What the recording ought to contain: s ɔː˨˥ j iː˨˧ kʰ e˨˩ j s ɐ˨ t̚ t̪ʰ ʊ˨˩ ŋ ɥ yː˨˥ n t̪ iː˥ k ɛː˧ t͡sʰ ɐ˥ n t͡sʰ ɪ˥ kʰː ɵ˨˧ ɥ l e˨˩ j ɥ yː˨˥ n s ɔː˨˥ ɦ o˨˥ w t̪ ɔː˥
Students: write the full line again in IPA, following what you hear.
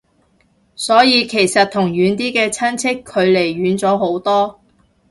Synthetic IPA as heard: s ɔː˨˥ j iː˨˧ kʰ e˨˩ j s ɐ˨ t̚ t̪ʰ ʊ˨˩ ŋ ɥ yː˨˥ n t̪ iː˥ k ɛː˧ t͡sʰ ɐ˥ n t͡sʰ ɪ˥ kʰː ɵ˨˧ ɥ l e˨˩ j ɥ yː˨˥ n t͡s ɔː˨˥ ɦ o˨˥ w t̪ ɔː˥